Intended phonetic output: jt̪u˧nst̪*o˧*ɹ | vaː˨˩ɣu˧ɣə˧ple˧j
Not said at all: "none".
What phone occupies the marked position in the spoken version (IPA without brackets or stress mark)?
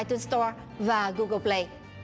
ɔ˧